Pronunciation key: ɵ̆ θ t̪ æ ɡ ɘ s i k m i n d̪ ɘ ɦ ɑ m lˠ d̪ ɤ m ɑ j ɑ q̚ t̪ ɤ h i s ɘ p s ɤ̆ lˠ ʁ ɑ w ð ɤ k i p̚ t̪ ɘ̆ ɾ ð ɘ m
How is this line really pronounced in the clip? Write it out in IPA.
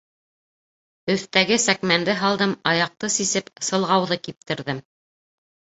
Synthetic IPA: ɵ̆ θ t̪ æ ɡ ɘ s æ k m æ n d̪ ɘ ɦ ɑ lˠ d̪ ɤ m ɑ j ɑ q̚ t̪ ɤ s i s ɘ p s ɤ̆ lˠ ʁ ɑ w ð ɤ k i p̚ t̪ ɘ̆ ɾ ð ɘ m